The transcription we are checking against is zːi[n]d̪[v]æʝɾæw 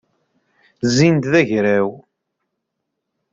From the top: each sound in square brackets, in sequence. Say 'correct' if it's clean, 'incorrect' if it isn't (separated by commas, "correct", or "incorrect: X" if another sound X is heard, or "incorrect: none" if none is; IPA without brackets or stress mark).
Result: correct, incorrect: ð